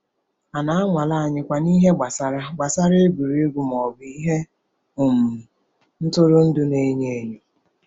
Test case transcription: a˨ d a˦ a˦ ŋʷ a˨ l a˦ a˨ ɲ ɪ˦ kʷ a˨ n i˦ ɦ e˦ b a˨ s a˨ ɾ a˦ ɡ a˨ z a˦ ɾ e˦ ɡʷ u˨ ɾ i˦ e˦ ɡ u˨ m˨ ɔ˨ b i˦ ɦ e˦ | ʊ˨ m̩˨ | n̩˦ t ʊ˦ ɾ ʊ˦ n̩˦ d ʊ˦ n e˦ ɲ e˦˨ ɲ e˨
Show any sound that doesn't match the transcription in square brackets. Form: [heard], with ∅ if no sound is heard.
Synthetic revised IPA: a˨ [n] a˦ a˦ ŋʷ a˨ l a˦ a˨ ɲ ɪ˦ kʷ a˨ n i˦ ɦ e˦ [ɡ͡b] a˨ s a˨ ɾ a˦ [ɡ͡b] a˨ [s] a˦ ɾ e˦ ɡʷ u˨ ɾ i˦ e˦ ɡ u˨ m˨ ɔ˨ b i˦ ɦ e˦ | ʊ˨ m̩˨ | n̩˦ t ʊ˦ ɾ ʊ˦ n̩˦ d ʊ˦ n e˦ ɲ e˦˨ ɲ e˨

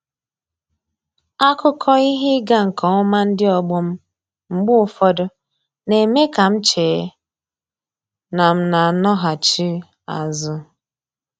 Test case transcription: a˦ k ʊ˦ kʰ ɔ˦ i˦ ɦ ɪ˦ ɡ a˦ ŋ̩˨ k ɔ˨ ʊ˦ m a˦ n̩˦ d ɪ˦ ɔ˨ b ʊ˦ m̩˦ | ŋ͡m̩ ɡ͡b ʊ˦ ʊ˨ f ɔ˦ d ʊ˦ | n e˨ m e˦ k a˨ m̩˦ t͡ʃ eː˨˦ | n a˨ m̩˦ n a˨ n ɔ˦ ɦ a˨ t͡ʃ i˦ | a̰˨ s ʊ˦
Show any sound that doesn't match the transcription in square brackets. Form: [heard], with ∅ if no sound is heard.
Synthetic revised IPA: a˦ k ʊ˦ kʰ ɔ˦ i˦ ɦ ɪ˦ ɡ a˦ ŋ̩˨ k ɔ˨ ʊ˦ m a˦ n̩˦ d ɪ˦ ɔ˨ [ɡ͡b] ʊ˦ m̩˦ | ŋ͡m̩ ɡ͡b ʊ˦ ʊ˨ f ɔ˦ d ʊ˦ | n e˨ m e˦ k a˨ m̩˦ t͡ʃ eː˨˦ | n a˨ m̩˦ n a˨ n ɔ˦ ɦ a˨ t͡ʃ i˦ | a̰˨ [z] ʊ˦

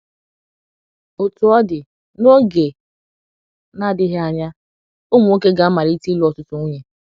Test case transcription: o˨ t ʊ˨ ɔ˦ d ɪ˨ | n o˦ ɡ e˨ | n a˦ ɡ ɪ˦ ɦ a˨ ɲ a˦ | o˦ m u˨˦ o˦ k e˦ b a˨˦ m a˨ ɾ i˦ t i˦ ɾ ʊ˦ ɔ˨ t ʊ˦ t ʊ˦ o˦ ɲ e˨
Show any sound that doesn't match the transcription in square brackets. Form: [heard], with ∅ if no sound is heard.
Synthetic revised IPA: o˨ t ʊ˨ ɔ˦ d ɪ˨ | n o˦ ɡ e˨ | n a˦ [d] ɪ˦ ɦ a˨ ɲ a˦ | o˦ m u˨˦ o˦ k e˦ [ɡ] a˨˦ m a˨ ɾ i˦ t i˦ [l] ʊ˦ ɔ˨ t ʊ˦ t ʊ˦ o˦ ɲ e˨

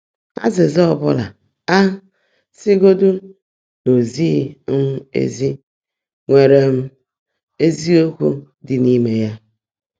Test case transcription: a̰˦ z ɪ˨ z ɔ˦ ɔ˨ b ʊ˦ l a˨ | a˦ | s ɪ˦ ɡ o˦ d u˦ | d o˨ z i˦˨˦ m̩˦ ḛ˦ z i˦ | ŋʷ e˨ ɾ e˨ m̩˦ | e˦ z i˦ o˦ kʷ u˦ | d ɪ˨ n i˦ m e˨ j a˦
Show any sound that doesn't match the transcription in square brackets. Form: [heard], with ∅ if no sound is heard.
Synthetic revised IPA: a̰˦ z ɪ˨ z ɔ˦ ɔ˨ b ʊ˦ l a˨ | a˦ | s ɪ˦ ɡ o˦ d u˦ | [n] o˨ z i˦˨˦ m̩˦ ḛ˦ z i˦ | ŋʷ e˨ ɾ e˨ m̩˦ | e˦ z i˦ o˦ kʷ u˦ | d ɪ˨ n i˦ m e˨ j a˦

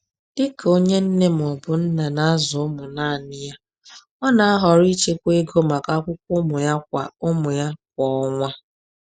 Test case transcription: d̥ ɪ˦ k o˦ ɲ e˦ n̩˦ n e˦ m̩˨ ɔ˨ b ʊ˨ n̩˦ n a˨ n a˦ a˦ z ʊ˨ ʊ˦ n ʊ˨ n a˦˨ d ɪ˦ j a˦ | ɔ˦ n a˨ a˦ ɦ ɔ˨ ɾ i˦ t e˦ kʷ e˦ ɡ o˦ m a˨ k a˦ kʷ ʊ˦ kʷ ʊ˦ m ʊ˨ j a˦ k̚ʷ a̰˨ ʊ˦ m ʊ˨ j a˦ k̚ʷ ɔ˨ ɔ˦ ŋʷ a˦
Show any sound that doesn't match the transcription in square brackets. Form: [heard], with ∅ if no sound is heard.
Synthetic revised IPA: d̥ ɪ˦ k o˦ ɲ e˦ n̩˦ n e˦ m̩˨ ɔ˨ b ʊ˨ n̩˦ n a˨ n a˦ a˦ z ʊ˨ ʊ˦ [m] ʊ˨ n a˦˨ [n] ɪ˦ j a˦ | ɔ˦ n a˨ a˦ ɦ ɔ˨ ɾ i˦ [t͡ʃ] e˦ kʷ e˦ ɡ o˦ m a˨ k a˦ kʷ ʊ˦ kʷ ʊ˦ m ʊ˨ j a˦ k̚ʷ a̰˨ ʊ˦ m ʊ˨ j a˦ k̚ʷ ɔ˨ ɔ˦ ŋʷ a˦

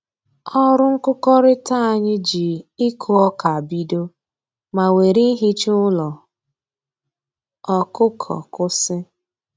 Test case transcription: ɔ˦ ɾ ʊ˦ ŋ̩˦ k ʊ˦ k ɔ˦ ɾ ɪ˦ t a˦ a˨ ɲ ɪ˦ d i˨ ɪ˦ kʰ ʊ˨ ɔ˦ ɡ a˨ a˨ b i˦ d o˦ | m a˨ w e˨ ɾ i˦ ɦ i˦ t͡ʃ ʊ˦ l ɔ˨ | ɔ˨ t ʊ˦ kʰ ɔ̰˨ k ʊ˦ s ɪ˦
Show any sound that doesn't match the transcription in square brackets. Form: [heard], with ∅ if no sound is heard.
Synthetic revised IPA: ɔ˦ ɾ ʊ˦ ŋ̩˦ k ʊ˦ k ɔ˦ ɾ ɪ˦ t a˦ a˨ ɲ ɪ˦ [d͡ʒ] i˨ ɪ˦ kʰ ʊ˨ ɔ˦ [k] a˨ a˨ b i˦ d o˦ | m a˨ w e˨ ɾ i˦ ɦ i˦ t͡ʃ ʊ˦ l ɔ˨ | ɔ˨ [k] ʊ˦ kʰ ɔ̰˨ k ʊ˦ s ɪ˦

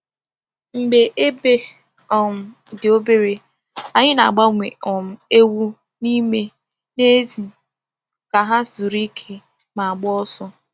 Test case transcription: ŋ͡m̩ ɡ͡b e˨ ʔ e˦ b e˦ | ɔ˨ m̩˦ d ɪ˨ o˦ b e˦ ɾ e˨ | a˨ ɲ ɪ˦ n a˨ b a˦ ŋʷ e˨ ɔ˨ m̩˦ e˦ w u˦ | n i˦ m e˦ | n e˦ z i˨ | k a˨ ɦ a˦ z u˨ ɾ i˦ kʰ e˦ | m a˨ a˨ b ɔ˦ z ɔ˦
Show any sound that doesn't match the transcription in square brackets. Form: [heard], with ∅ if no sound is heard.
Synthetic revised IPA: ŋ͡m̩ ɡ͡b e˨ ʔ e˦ b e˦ | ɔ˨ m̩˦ d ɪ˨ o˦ b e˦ ɾ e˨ | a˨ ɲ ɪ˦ n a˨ [ɡ͡b] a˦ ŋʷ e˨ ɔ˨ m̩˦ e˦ w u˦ | n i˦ m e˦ | n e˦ z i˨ | k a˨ ɦ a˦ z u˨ ɾ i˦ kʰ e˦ | m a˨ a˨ [ɡ͡b] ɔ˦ [s] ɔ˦

